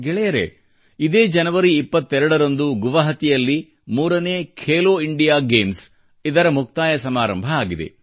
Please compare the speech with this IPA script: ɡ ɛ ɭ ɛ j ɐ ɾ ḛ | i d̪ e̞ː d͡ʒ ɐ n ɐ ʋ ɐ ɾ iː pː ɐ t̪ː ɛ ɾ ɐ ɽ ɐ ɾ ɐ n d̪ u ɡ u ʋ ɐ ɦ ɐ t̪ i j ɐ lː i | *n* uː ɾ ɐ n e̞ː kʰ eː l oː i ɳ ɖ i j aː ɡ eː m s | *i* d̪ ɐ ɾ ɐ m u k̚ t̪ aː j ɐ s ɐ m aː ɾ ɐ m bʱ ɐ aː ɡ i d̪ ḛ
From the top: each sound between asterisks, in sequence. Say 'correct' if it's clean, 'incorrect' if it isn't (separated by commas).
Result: incorrect, correct